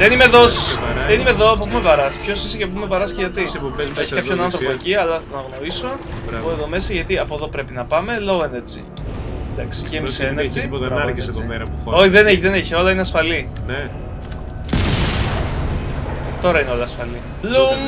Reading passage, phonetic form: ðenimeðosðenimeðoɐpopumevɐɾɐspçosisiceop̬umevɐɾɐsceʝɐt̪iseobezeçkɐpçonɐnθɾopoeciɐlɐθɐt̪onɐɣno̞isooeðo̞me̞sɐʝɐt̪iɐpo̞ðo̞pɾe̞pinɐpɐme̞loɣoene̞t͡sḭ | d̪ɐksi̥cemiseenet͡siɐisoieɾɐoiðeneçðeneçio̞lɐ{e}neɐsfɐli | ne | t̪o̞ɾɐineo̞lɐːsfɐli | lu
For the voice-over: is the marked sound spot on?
no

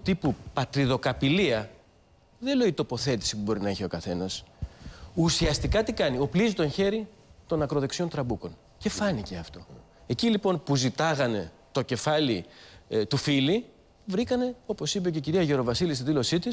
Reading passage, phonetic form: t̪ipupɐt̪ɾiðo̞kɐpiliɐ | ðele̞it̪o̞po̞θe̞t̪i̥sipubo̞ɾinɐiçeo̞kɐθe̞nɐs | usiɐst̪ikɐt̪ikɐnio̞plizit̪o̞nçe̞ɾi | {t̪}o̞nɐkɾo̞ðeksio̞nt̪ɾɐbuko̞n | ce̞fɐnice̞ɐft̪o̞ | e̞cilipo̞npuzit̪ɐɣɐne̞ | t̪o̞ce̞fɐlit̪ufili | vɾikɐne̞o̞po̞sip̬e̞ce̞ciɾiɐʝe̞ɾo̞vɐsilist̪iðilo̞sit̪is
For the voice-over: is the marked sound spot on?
yes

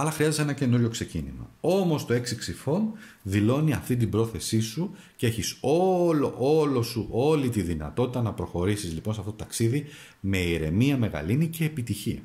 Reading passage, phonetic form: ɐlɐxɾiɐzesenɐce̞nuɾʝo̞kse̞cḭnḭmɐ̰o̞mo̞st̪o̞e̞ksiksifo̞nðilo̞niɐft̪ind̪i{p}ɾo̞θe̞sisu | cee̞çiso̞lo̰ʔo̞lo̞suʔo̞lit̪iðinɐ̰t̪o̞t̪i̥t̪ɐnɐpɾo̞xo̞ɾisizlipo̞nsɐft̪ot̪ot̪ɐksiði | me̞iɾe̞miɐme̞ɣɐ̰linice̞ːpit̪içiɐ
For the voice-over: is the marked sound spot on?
no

